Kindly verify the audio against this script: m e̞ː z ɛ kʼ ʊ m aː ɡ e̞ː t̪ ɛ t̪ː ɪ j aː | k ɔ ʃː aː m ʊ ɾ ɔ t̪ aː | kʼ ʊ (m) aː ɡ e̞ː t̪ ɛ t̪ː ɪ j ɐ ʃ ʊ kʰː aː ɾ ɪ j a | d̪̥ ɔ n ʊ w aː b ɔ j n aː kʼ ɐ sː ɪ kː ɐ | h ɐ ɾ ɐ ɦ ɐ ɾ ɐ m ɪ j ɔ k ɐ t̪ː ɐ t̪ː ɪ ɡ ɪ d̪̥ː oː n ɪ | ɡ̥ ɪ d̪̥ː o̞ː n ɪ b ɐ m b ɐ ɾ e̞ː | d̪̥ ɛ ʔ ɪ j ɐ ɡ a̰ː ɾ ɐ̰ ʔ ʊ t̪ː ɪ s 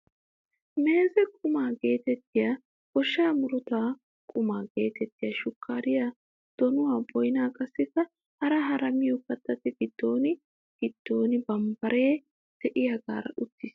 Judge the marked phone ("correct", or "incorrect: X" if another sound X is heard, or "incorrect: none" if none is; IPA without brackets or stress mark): correct